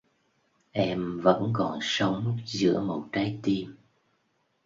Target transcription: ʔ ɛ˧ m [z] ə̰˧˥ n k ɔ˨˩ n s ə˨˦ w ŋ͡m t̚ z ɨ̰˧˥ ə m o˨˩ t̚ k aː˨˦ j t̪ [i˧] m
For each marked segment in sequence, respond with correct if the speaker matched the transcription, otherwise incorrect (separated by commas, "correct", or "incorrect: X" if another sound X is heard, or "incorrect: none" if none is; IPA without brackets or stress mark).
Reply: incorrect: v, correct